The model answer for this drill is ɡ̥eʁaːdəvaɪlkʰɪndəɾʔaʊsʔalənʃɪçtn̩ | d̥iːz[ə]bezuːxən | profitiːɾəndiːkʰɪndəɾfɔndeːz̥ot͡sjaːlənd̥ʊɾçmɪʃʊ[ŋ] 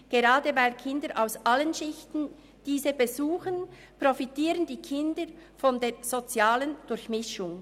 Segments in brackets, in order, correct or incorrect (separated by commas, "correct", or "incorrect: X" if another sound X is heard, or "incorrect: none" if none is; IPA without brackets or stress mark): correct, correct